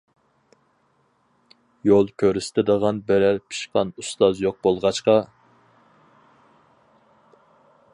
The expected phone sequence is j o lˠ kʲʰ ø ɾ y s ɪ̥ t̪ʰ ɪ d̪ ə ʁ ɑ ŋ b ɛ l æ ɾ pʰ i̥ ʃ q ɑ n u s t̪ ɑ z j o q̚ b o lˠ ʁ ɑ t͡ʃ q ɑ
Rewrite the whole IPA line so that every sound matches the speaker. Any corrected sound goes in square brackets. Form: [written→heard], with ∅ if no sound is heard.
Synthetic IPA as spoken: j o lˠ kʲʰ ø ɾ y s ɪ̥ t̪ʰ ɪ d̪ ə ʁ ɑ [ŋ→n] b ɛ [l→ɾ] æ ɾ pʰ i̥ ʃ q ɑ n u s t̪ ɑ z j o q̚ b o lˠ ʁ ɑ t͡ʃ q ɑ